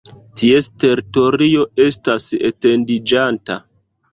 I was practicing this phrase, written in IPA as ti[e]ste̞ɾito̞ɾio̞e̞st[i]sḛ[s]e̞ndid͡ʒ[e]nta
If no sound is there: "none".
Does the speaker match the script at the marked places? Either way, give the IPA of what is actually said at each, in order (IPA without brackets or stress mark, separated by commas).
e, a, t, a